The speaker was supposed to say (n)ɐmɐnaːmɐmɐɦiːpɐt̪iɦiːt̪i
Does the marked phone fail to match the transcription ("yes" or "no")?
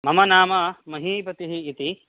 yes